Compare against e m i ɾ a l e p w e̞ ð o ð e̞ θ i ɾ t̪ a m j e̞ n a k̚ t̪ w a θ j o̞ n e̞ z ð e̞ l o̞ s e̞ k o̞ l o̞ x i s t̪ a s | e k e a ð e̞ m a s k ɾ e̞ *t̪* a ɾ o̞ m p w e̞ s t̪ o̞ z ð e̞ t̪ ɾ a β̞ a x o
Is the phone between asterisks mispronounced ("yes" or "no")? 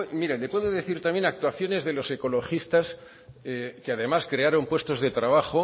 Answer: yes